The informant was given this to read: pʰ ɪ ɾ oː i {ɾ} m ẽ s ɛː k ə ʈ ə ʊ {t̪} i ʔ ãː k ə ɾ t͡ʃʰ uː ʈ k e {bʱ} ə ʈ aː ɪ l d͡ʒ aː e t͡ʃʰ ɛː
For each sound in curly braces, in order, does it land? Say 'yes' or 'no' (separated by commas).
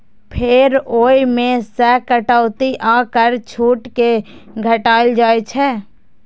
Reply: no, yes, no